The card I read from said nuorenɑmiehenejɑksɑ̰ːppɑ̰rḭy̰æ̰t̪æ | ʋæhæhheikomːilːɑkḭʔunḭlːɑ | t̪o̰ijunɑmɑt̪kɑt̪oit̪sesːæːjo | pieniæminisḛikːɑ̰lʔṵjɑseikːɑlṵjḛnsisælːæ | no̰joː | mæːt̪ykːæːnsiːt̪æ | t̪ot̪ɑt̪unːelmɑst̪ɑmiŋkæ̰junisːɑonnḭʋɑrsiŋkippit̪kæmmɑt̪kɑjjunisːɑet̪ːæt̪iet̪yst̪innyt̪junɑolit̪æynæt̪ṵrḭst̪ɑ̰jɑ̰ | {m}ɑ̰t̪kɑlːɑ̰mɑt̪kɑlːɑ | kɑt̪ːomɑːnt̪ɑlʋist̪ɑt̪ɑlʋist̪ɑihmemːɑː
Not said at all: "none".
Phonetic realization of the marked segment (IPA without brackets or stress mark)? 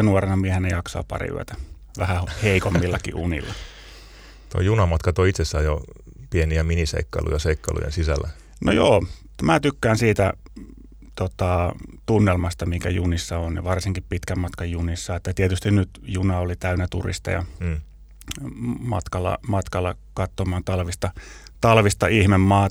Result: m